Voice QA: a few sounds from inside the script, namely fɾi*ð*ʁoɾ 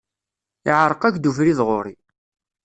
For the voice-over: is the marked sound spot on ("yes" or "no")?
yes